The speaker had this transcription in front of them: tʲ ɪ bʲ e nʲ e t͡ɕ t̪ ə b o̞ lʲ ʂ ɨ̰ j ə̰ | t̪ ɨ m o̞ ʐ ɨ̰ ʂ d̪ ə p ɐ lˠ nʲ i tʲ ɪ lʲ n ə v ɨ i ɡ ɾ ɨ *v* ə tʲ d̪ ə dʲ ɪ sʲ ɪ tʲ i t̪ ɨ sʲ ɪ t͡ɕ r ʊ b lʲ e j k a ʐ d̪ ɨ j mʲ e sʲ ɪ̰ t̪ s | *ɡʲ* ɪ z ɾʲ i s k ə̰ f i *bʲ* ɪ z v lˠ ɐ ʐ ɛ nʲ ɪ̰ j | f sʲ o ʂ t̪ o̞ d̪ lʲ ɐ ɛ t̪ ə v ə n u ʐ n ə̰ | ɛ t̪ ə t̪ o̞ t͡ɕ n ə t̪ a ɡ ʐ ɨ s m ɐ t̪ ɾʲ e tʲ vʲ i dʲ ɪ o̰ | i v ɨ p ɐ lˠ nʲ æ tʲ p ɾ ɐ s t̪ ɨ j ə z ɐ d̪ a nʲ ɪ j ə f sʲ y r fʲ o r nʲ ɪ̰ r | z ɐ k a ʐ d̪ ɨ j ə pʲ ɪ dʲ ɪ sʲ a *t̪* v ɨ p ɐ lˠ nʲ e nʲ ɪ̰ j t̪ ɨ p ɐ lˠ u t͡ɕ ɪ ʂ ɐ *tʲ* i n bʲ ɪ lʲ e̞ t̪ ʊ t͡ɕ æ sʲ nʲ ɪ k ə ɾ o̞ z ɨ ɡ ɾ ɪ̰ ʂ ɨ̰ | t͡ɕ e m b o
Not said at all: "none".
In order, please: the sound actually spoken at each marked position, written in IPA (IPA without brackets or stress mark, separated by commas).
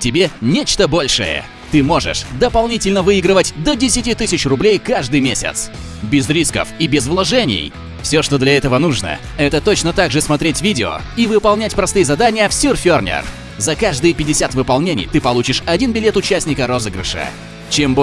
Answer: v, bʲ, bʲ, t̪, dʲ